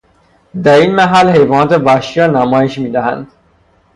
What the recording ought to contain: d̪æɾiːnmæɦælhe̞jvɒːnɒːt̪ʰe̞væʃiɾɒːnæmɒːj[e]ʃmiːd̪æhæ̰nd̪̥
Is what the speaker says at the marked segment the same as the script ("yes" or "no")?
yes